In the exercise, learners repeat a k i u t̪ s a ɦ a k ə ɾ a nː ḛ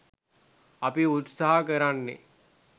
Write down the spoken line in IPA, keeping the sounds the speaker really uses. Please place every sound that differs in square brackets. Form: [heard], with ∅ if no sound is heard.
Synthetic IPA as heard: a [p] i u t̪ s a ɦ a k ə ɾ a nː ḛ